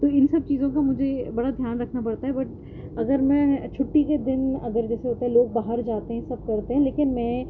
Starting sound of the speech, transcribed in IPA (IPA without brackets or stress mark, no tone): t̪